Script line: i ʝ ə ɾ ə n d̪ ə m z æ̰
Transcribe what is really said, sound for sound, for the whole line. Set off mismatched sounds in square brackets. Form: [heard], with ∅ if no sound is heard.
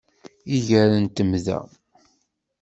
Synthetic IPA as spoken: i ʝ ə ɾ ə n [t̪] ə m [ð] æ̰